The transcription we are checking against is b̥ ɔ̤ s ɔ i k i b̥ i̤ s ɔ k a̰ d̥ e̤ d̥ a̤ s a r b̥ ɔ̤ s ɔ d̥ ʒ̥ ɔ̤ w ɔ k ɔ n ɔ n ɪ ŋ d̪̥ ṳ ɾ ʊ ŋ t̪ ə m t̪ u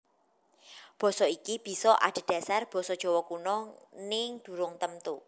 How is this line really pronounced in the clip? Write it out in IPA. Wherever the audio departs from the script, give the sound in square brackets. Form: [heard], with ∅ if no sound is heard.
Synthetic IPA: b̥ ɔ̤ s ɔ i k i b̥ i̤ s ɔ [ʔ] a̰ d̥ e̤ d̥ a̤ s a r b̥ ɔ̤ s ɔ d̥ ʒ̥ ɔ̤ w ɔ k [u] n ɔ n ɪ ŋ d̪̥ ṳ ɾ ʊ ŋ t̪ ə m t̪ u